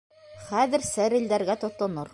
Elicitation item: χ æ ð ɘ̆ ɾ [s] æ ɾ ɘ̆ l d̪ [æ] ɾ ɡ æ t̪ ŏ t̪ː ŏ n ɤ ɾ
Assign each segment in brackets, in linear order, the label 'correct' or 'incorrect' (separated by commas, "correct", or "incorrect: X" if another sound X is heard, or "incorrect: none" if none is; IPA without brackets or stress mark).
correct, correct